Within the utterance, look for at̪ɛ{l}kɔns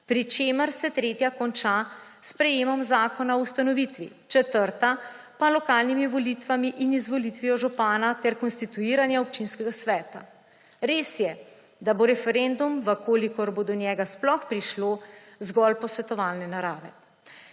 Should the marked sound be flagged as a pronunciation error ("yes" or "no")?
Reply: yes